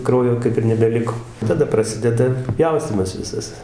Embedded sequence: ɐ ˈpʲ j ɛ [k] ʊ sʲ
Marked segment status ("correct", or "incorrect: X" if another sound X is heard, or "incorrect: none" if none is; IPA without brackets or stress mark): incorrect: none